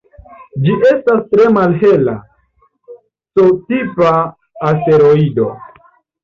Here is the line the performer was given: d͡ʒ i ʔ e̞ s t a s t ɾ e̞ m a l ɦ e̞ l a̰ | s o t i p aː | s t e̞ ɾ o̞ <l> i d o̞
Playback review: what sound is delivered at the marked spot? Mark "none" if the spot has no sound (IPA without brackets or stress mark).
none